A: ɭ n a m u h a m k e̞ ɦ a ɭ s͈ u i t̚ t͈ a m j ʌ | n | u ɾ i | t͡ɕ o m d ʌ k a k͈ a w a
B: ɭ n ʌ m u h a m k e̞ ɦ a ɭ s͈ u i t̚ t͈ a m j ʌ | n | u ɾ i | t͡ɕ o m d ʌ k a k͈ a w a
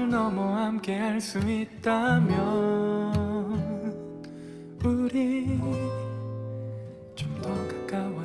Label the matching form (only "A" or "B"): B